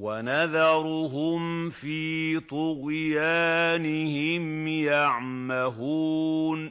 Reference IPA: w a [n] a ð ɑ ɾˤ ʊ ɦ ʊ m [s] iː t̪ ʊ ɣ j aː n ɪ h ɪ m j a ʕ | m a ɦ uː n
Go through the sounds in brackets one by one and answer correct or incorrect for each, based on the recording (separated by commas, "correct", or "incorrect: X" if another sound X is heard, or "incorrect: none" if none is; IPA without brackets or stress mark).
correct, incorrect: f